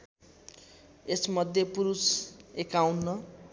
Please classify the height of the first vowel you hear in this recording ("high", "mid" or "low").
mid